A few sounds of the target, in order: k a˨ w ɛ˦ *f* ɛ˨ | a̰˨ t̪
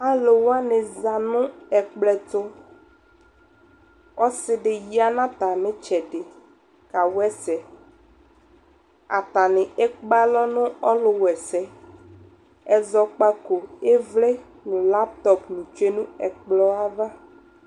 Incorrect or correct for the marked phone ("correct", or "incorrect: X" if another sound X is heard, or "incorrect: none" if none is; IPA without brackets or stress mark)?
incorrect: s